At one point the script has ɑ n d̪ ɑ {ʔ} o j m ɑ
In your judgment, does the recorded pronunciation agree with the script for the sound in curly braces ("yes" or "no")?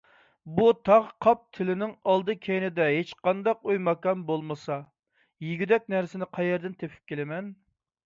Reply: no